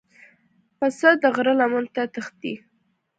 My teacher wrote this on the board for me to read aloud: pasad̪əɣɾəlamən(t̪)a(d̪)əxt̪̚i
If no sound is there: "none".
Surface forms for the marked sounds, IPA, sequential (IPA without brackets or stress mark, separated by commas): t̪, t̪